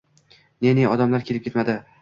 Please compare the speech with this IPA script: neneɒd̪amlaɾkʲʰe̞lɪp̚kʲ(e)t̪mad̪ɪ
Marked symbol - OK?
yes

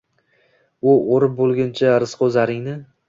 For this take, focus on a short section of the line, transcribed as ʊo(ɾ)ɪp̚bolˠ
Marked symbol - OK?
yes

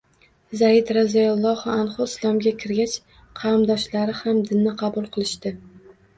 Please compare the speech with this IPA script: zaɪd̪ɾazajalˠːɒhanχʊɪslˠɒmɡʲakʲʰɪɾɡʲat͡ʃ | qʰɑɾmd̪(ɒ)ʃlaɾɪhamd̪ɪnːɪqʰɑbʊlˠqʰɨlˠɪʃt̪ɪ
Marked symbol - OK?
yes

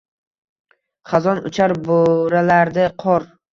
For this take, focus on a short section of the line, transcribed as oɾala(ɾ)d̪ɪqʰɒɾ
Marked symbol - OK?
yes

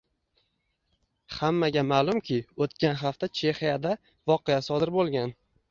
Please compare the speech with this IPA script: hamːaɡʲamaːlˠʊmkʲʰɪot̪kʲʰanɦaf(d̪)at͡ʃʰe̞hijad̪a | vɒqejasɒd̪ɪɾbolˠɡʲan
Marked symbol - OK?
no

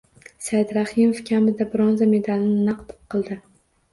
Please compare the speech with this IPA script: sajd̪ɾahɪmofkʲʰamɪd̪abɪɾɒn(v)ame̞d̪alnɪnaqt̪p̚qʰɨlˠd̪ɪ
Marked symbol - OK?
no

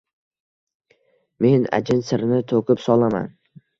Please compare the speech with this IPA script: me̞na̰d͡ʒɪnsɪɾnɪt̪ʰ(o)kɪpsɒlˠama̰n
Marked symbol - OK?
yes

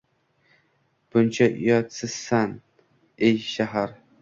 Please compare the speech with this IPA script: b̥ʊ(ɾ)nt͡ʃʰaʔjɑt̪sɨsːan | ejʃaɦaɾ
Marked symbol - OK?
no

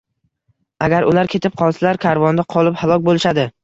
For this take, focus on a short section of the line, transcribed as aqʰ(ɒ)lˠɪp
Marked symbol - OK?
yes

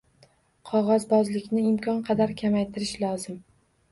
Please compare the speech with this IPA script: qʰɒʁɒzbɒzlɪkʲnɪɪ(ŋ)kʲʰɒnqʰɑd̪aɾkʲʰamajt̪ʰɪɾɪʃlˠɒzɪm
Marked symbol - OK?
no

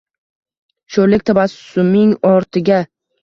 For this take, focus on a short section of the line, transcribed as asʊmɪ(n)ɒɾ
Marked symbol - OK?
no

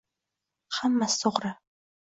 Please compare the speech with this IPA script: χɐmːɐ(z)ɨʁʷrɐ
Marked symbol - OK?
no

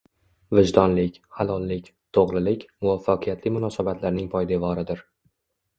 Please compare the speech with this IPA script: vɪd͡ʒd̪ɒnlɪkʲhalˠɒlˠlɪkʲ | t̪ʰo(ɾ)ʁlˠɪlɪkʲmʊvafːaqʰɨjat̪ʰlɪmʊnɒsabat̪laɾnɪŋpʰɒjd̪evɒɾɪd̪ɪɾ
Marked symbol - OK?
no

